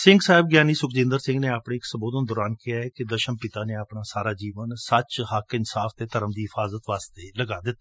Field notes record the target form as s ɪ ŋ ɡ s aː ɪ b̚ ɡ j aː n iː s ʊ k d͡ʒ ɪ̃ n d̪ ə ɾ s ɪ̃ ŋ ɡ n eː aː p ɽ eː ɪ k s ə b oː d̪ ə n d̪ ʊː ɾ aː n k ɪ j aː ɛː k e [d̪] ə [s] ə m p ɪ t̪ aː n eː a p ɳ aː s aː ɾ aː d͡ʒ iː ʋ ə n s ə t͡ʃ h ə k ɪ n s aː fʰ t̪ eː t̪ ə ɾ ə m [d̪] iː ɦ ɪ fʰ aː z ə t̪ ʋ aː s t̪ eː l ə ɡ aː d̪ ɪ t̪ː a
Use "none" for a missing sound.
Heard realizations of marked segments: d̪, ʃ, d̪

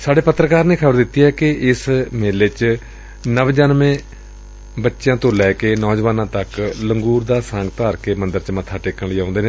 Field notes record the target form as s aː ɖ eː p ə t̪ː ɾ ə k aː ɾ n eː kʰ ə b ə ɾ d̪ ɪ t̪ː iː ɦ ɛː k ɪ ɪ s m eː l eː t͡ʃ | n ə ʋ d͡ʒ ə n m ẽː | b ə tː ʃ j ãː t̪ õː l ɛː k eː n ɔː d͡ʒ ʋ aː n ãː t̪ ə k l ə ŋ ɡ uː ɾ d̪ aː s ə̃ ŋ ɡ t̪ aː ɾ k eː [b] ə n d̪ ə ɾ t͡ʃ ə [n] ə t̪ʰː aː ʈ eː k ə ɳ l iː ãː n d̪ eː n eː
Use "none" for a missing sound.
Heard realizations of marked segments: m, m

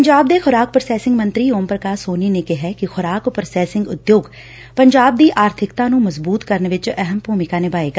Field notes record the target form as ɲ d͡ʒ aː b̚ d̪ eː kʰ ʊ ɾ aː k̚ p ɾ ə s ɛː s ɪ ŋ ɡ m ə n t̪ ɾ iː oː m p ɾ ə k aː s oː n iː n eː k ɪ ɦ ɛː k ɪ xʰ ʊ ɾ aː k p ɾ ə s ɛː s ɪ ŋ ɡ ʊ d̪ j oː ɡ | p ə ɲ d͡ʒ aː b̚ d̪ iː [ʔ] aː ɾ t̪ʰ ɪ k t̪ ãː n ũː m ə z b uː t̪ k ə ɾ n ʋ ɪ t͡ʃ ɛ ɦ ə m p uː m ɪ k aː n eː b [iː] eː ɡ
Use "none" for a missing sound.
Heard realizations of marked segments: ʔ, aː

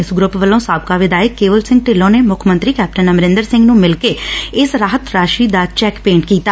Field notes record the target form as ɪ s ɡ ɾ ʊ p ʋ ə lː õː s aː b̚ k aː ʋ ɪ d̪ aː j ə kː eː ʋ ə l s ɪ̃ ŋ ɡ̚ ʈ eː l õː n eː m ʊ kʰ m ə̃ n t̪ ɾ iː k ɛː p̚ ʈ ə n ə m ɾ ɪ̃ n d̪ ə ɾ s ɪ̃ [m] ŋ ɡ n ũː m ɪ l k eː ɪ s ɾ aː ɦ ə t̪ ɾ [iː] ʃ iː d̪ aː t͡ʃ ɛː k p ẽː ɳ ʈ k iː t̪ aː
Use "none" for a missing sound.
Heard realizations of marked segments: none, aː

